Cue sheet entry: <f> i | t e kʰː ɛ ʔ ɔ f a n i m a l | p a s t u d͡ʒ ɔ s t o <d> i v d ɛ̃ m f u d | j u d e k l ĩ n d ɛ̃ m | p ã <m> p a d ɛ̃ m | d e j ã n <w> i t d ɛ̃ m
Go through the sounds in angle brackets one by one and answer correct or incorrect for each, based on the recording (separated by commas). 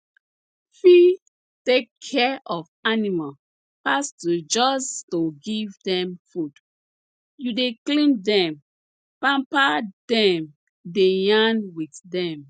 correct, incorrect, correct, correct